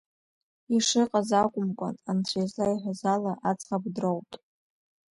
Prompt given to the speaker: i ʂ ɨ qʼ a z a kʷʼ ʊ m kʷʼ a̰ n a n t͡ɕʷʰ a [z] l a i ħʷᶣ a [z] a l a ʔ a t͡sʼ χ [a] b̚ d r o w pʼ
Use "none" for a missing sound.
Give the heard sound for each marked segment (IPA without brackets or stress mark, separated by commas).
z, z, a